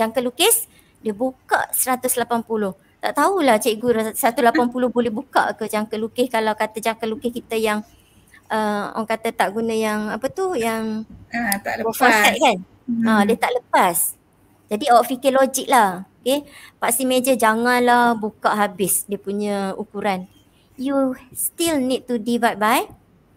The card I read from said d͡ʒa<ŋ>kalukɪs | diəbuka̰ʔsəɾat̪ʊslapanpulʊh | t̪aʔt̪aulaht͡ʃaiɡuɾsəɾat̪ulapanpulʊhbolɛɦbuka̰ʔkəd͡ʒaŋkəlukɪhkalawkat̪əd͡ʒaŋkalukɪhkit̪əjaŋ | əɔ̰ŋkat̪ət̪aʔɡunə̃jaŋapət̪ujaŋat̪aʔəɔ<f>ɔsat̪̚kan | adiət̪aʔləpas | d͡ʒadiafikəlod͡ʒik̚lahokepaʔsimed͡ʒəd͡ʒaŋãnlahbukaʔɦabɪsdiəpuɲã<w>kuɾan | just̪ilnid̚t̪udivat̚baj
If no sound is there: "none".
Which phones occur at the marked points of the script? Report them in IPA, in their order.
ŋ, f, u

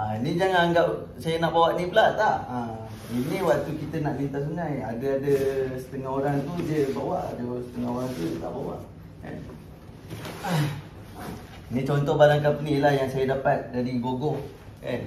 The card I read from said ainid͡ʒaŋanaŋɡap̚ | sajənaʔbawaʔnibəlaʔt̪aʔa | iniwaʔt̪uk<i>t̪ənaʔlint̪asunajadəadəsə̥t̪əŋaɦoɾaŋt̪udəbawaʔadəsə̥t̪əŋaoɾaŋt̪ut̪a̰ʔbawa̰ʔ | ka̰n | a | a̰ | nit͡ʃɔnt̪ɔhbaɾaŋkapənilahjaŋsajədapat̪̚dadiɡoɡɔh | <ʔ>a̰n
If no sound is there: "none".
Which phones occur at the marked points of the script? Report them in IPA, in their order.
i, k

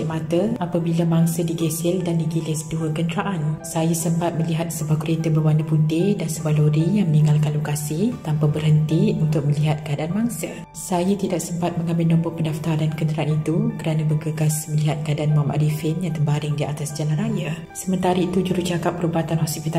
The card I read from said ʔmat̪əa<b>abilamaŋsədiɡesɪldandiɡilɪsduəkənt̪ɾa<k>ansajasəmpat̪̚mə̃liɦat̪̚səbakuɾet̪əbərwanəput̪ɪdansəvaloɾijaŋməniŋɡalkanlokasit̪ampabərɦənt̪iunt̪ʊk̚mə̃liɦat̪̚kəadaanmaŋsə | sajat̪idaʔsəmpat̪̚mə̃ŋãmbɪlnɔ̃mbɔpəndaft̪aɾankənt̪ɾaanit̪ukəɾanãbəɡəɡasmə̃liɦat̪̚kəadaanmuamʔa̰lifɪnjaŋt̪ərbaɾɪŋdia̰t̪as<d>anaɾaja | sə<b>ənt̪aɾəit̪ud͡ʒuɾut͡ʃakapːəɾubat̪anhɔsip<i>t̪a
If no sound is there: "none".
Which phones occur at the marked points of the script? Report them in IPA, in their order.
p, ʔ, d͡ʒ, m, i

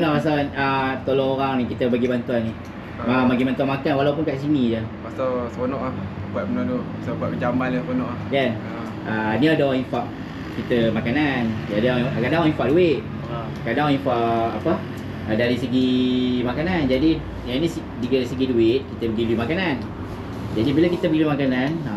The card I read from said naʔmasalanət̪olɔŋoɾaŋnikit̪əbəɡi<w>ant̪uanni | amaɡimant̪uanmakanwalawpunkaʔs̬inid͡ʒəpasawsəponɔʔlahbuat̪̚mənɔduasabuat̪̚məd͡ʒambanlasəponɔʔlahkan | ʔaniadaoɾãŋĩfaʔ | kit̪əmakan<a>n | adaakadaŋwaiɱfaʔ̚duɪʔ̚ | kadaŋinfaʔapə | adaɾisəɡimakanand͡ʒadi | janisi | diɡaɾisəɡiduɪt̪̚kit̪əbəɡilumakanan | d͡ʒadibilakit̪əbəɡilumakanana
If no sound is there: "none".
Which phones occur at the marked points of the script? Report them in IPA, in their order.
b, a

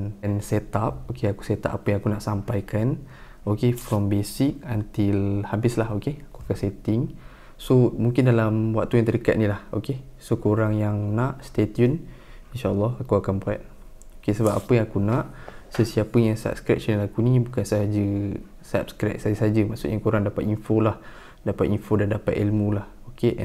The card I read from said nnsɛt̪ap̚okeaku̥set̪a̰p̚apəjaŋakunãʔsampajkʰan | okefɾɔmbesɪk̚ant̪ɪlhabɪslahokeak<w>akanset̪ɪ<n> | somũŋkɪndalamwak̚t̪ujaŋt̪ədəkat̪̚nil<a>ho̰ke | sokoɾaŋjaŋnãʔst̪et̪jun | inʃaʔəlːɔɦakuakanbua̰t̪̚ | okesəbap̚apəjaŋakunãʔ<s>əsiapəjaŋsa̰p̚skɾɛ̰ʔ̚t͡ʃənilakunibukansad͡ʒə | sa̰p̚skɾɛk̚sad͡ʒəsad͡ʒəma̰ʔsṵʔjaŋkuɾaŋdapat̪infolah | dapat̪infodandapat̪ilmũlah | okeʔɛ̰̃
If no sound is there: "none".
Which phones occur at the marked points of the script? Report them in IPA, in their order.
u, ŋ, a, s

